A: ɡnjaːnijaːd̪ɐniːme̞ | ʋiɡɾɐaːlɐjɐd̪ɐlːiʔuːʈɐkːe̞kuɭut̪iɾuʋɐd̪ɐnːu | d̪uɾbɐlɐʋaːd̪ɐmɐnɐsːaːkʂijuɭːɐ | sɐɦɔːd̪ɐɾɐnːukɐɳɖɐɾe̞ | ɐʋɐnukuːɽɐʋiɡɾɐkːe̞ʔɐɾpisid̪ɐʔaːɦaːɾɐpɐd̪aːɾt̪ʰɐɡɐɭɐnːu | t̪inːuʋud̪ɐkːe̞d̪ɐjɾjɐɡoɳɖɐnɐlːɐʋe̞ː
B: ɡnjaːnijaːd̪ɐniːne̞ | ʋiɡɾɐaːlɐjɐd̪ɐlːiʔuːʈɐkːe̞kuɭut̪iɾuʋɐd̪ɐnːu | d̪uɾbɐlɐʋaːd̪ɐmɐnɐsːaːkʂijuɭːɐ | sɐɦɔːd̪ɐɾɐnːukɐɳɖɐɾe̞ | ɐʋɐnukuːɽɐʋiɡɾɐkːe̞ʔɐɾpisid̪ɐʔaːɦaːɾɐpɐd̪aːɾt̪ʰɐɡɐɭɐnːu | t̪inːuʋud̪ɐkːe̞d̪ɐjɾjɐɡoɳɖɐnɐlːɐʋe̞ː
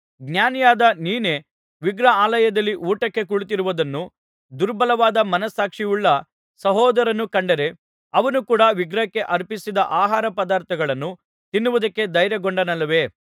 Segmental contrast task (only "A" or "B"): B